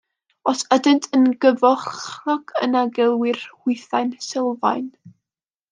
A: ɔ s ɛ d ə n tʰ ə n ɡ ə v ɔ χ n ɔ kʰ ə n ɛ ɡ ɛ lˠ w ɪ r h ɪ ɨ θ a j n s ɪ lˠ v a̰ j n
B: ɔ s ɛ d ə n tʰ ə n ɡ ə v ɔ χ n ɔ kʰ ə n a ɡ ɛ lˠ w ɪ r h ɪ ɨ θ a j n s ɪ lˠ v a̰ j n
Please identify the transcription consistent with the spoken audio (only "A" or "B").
B